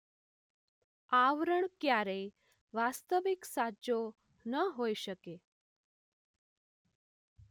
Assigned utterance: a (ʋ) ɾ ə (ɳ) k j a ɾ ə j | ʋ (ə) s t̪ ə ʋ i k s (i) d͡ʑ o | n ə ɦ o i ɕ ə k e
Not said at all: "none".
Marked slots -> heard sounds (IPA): ʋ, ɳ, a, a

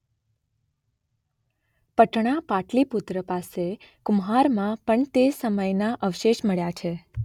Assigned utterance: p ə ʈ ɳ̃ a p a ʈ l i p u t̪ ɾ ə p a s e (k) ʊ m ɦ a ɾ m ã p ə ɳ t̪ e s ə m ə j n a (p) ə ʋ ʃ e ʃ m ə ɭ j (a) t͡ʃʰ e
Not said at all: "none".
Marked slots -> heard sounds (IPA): k, ʔ, a

